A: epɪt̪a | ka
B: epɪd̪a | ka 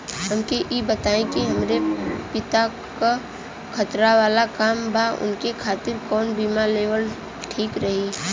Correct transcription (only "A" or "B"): A